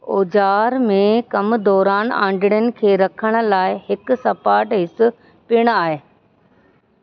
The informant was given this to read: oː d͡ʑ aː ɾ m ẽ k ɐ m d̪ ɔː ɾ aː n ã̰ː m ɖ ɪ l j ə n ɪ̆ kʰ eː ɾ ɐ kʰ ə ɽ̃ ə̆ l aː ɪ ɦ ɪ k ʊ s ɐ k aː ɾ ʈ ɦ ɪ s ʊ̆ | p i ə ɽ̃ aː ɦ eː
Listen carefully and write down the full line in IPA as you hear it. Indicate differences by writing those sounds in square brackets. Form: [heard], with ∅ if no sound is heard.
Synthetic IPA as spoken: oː d͡ʑ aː ɾ m ẽ k ɐ m d̪ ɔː ɾ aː n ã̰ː [ɳ] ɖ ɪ [ɽ] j ə n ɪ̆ kʰ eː ɾ ɐ kʰ ə ɽ̃ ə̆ l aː ɪ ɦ ɪ k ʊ s ɐ [p] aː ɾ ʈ ɦ ɪ s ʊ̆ | p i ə ɽ̃ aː ɦ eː